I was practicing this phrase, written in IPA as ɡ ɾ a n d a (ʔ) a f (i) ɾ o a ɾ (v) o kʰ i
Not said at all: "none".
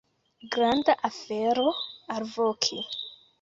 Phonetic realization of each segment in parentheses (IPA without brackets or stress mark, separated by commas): ʔ, e, v